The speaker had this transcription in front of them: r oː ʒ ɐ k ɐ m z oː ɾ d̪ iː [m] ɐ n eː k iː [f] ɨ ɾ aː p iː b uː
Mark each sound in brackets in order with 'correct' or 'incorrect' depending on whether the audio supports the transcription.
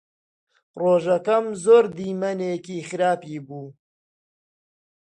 correct, incorrect

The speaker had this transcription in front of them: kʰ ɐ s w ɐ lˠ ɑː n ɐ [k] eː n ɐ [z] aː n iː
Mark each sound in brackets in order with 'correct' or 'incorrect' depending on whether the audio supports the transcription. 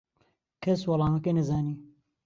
correct, correct

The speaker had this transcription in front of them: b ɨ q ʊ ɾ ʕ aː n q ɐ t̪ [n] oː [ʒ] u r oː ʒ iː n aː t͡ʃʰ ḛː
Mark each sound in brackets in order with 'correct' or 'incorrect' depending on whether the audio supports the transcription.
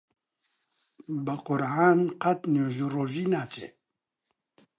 correct, correct

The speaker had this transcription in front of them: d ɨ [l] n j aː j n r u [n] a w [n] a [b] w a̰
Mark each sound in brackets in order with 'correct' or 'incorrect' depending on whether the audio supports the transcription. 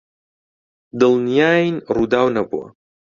correct, incorrect, correct, correct

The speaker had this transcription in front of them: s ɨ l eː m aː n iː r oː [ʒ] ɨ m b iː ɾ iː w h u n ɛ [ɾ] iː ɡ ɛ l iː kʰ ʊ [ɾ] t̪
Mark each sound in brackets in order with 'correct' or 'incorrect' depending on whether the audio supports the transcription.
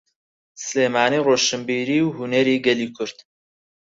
incorrect, correct, correct

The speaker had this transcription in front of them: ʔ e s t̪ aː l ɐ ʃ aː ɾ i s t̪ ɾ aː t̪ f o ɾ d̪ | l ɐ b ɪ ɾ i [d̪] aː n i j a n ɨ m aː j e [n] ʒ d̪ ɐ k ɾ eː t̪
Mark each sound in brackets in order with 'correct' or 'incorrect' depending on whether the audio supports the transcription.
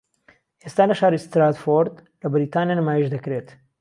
incorrect, incorrect

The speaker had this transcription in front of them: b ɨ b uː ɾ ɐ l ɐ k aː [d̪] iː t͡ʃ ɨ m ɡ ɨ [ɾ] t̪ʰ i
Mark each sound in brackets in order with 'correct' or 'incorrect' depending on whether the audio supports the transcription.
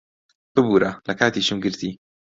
incorrect, correct

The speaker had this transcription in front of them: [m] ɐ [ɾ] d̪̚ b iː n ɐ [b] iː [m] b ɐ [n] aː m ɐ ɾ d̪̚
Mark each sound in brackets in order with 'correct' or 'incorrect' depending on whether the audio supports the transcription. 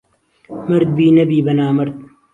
correct, correct, correct, incorrect, correct

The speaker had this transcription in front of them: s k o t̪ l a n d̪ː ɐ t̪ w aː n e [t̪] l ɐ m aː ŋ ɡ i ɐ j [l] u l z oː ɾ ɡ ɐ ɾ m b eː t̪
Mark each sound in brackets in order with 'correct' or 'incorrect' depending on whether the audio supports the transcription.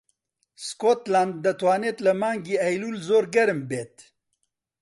correct, correct

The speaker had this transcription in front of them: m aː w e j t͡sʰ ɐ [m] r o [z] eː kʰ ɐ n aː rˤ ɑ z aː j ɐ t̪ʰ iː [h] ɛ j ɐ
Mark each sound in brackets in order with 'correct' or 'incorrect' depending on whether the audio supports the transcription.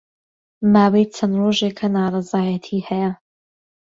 incorrect, incorrect, correct

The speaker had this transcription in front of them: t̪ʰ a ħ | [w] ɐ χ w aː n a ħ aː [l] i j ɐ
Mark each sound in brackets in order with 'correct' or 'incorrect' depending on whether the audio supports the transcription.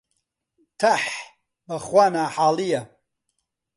incorrect, correct

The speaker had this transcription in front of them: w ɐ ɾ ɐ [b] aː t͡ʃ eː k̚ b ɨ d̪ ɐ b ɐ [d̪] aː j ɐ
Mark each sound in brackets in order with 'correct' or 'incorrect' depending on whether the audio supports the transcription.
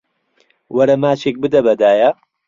incorrect, correct

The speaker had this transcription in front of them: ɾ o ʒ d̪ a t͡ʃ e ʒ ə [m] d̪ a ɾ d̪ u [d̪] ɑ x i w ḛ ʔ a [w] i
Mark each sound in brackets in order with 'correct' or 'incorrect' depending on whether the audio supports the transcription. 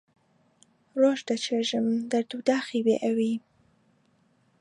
correct, correct, correct

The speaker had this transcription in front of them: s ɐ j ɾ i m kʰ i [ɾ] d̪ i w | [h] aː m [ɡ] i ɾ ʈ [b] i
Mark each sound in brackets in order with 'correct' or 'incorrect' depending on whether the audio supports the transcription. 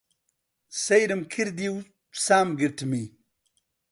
correct, incorrect, correct, incorrect

